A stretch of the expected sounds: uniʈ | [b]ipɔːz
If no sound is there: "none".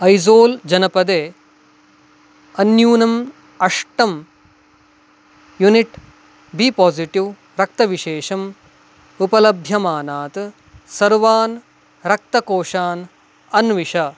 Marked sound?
b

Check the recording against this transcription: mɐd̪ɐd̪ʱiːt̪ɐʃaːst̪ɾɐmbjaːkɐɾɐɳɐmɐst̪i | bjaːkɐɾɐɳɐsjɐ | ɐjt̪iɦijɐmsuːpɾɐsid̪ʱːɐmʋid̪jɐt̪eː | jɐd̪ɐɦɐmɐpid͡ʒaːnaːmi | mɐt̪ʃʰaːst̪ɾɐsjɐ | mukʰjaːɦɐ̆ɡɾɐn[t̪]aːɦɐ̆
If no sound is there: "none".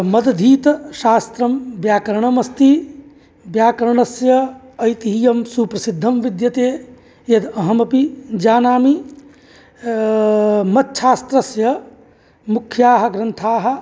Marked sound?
t̪ʰ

